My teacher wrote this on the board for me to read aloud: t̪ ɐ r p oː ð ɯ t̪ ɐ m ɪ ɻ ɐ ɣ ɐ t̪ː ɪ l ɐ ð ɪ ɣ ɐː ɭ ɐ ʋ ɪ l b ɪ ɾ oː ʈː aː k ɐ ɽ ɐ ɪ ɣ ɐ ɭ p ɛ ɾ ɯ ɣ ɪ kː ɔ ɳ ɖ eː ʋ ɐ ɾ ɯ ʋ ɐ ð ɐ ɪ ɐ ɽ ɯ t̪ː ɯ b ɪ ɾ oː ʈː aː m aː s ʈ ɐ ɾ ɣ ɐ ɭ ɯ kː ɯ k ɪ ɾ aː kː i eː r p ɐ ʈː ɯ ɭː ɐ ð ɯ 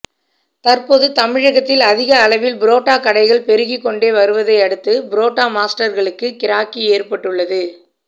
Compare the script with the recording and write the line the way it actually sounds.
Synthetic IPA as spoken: t̪ ɐ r p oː ð ɯ t̪ ɐ m ɪ ɻ ɐ ɣ ɐ t̪ː ɪ l ɐ ð ɪ ɣ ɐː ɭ ɐ ʋ ɪ l b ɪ ɾ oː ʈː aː k ɐ ɽ ɐ ɪ ɣ ɐ ɭ p ɛ ɾ ɯ ɣ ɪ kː ɔ ɳ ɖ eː ʋ ɐ ɾ ɯ ʋ ɐ ð ɐ ɪ ɐ ɽ ɯ t̪ː ɯ b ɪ ɾ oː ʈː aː m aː s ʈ ɐ ɾ ɣ ɐ ɭ ɯ kː ɯ k ɪ ɾ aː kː i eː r p ɐ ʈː ɯ ɭː ɐ ð ɯ